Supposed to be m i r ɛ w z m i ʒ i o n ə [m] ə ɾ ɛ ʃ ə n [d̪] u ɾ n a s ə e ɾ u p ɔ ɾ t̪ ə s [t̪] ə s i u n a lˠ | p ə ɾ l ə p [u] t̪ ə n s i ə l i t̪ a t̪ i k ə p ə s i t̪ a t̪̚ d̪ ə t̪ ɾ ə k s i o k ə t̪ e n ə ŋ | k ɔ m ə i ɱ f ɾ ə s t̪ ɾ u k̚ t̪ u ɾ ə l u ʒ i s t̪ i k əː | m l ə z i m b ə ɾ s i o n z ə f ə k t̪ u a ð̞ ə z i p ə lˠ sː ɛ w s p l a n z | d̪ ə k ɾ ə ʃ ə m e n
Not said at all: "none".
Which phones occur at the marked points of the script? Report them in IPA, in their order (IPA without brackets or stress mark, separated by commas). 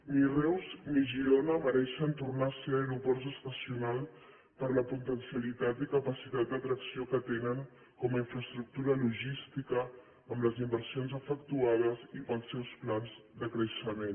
m, t̪, t̪, u